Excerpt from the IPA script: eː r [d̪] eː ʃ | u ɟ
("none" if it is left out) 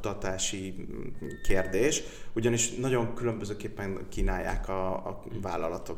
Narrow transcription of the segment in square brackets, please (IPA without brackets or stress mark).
d̪